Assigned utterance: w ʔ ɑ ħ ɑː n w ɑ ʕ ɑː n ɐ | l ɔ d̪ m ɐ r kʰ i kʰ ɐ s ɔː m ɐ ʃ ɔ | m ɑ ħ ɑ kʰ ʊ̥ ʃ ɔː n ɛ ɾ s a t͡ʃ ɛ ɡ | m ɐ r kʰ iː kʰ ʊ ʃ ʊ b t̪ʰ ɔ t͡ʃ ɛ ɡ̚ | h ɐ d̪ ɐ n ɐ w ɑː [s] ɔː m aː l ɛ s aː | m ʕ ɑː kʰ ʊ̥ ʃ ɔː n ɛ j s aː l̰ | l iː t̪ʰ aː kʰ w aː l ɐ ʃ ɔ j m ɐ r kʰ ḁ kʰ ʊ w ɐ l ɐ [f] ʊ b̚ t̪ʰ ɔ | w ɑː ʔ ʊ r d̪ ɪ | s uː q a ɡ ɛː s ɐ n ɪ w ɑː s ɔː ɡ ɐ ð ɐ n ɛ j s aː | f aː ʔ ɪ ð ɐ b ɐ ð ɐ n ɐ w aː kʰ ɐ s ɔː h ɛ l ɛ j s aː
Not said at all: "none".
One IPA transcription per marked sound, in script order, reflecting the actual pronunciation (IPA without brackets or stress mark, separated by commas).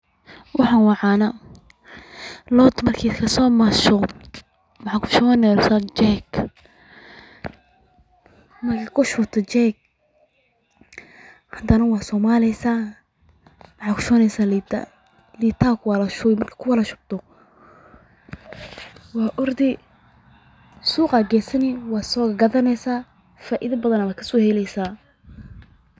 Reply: s, ʃ